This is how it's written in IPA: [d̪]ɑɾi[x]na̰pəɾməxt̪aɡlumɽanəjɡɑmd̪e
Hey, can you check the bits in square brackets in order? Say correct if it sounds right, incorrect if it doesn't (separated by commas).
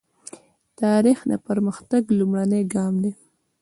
incorrect, correct